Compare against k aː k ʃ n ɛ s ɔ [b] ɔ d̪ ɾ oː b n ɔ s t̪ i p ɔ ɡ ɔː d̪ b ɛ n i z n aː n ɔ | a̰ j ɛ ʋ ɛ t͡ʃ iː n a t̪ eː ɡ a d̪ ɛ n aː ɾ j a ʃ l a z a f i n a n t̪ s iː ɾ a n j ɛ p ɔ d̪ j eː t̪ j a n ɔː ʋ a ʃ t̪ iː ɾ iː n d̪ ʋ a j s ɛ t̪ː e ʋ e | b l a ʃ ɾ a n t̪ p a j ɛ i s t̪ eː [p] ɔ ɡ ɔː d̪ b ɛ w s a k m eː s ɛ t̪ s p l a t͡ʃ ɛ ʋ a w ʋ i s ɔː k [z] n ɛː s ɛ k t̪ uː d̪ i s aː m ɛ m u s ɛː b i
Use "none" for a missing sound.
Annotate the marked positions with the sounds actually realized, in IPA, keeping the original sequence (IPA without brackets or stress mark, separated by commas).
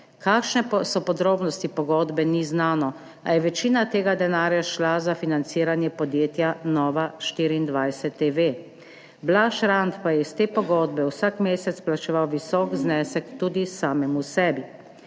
p, p, z